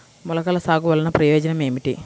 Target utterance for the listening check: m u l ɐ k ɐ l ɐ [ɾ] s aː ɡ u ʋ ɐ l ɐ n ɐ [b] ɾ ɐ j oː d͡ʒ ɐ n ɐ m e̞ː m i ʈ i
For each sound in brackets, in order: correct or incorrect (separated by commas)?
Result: incorrect, incorrect